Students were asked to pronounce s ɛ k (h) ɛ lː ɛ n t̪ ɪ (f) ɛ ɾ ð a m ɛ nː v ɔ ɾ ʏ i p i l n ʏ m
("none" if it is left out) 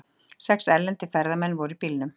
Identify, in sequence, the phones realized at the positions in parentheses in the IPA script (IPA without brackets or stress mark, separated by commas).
s, f